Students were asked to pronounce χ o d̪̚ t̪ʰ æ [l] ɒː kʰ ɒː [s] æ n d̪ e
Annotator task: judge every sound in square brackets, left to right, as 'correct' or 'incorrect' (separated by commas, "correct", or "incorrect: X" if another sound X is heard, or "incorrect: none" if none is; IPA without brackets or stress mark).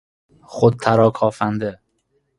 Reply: incorrect: ɾ, incorrect: f